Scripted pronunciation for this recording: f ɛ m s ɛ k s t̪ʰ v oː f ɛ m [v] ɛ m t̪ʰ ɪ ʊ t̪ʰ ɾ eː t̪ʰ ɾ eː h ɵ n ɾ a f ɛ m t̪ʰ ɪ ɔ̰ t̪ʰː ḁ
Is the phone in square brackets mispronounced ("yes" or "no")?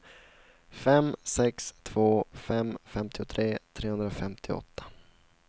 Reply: yes